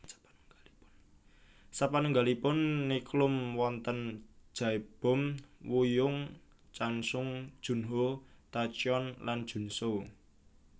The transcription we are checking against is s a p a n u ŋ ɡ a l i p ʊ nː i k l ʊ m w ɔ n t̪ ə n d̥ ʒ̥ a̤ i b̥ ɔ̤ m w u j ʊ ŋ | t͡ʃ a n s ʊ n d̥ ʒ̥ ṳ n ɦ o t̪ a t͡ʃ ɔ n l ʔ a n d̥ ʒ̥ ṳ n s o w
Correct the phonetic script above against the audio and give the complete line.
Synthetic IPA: s a p a n u ŋ ɡ a l i p ʊ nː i k l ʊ m w ɔ n t̪ ə n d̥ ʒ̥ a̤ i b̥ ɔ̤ m w u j ʊ ŋ | t͡ʃ a n s ʊ ŋ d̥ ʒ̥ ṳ n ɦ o t̪ a t͡ʃ ɔ n l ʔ a n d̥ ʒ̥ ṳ n s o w